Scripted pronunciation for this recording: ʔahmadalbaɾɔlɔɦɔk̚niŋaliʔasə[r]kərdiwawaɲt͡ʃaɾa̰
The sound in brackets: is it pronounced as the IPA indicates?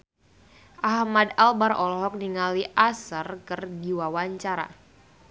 yes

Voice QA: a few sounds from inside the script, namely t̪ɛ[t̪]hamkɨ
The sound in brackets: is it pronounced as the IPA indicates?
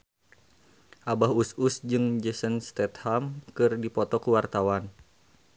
yes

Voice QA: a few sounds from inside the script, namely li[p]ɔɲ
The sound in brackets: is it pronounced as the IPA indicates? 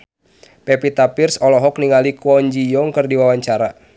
no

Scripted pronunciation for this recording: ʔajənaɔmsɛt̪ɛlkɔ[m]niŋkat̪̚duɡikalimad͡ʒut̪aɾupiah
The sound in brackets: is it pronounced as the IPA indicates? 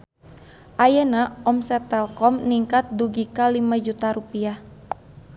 yes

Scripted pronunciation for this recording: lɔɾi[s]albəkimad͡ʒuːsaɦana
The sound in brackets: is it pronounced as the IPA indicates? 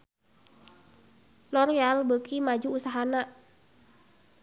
no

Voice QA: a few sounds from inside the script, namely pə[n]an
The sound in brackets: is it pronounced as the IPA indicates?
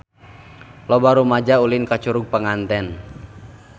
no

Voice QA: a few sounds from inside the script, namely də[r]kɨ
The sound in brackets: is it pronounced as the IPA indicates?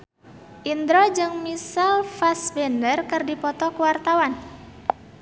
yes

